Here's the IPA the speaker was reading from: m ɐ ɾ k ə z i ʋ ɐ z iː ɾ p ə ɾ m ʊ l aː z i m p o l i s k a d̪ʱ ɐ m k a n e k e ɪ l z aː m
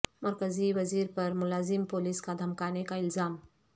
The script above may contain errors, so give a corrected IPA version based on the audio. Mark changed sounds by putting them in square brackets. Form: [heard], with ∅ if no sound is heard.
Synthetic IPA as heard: m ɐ ɾ k ə z i ʋ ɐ z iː ɾ p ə ɾ m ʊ l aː z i m p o l i s k a d̪ʱ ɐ m k a n e k [a] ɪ l z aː m